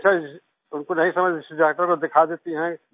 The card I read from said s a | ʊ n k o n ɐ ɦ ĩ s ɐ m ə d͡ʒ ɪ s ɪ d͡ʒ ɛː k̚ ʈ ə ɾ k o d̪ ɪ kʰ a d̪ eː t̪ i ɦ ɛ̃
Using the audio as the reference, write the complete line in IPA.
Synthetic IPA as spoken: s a | ʊ n k o n ɐ ɦ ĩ s ɐ m ə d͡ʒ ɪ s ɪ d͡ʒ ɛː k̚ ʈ ə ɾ k o d̪ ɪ kʰ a d̪ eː t̪ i ɦ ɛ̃